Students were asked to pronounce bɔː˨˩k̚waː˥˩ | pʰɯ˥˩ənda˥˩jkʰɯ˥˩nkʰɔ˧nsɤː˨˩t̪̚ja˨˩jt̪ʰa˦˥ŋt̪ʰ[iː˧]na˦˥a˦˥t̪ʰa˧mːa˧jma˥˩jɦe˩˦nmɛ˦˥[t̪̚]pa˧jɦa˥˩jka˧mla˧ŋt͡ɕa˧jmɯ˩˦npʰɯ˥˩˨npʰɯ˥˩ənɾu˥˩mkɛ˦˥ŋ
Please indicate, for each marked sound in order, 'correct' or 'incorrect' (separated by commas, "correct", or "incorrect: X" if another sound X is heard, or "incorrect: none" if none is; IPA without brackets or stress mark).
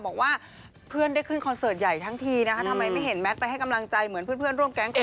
correct, correct